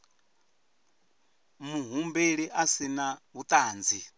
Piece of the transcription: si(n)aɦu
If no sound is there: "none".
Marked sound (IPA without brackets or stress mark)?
n